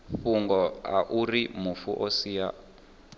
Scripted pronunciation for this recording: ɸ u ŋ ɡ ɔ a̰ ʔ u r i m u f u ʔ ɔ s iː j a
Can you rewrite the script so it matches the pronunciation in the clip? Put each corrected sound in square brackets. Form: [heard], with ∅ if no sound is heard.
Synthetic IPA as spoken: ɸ u ŋ ɡ ɔ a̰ ʔ u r i m u f u ʔ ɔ s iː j a